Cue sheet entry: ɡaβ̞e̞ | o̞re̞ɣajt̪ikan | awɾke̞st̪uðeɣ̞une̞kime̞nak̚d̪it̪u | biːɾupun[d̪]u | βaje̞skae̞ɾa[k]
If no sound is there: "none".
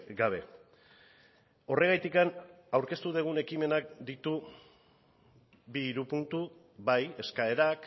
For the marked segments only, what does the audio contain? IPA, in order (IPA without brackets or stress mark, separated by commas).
t̪, k